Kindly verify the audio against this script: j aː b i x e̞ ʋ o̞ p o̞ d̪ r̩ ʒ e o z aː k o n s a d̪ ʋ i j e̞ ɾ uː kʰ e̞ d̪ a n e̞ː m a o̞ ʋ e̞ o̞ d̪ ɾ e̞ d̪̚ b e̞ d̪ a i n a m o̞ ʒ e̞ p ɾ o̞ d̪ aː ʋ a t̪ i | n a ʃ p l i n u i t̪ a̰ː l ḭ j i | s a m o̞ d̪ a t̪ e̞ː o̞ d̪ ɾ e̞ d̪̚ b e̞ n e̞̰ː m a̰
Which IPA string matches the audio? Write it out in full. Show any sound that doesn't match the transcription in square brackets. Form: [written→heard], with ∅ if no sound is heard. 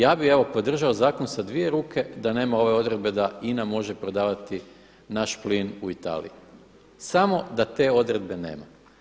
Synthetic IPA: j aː b i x e̞ ʋ o̞ p o̞ d̪ r̩ ʒ [e→a] o z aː k o n s a d̪ ʋ i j e̞ ɾ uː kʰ e̞ d̪ a n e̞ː m a o̞ ʋ e̞ o̞ d̪ ɾ e̞ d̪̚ b e̞ d̪ a i n a m o̞ ʒ e̞ p ɾ o̞ d̪ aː ʋ a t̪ i | n a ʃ p l i n u i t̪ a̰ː l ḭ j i | s a m o̞ d̪ a t̪ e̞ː o̞ d̪ ɾ e̞ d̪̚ b e̞ n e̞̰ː m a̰